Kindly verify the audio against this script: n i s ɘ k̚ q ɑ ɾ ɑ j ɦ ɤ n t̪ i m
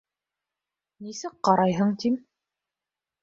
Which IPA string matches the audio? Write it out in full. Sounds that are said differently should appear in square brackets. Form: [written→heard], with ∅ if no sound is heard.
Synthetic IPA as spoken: n i s ɘ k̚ q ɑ ɾ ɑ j ɦ ɤ [n→ɴ] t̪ i m